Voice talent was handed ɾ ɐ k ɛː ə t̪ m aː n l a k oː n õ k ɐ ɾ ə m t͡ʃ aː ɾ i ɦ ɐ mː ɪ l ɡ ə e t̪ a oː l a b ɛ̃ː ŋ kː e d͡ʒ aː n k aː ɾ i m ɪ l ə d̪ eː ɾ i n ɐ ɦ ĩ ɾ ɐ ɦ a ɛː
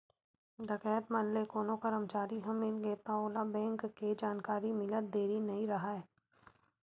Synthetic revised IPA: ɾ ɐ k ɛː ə t̪ m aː n l e k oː n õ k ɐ ɾ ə m t͡ʃ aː ɾ i ɦ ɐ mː ɪ l ɡ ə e t̪ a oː l a b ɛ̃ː ŋ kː e d͡ʒ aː n k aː ɾ i m ɪ l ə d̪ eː ɾ i n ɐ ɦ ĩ ɾ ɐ ɦ a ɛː